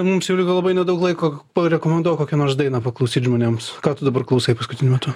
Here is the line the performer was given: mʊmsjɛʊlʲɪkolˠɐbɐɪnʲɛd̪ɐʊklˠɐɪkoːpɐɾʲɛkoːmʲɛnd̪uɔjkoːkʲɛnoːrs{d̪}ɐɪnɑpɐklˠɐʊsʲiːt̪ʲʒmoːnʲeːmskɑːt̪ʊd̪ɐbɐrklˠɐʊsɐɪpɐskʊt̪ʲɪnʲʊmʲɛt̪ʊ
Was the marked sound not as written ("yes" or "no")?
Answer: no